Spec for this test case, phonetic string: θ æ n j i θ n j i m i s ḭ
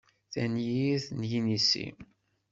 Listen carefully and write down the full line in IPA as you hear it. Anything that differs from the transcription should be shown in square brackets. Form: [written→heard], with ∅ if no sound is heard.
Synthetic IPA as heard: θ æ n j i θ n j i [m→n] i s ḭ